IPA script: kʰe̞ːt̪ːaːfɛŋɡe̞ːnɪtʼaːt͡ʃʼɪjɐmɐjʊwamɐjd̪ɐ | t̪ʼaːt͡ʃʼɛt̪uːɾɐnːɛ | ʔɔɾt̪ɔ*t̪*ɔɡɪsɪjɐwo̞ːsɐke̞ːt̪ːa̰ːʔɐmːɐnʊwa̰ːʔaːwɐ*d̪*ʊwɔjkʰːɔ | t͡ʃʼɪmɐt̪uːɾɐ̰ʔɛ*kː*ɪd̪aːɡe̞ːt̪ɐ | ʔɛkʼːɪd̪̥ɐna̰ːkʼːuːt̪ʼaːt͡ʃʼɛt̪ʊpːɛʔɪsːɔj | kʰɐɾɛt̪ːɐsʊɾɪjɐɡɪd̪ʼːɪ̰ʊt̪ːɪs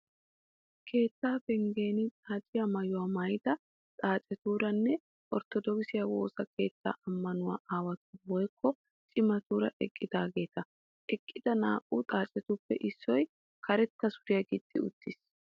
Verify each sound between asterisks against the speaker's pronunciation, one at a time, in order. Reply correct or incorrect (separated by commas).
incorrect, incorrect, incorrect